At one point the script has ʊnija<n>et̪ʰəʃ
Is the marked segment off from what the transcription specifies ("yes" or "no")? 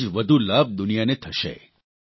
no